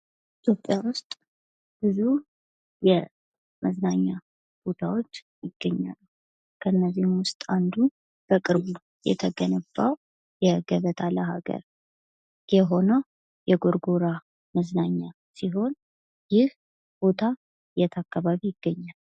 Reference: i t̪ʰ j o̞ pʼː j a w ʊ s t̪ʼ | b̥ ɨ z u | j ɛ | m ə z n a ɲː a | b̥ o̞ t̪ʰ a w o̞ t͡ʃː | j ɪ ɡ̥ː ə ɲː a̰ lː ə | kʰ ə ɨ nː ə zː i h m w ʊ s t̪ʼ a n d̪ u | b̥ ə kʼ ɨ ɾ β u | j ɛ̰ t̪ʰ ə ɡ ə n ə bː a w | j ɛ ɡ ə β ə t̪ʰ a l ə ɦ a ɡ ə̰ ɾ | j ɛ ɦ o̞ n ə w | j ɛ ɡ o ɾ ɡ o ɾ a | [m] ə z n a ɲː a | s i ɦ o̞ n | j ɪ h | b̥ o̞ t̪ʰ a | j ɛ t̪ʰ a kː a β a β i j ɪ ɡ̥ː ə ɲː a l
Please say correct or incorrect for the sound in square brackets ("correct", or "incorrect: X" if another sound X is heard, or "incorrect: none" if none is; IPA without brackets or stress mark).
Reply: correct